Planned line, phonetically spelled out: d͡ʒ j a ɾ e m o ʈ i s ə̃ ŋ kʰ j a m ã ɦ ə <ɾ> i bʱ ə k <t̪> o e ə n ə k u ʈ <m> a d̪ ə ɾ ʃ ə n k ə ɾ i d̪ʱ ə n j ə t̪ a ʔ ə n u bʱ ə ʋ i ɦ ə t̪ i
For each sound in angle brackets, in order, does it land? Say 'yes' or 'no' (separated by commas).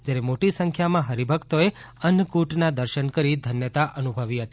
yes, yes, no